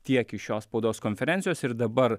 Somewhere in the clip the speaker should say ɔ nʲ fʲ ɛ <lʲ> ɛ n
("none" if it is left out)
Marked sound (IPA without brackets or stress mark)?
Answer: ɾʲ